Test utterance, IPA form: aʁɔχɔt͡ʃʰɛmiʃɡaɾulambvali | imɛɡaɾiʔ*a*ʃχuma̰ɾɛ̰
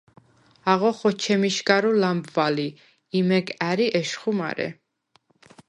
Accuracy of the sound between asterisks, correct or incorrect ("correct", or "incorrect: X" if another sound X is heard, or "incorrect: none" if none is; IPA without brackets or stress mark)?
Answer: incorrect: ɛ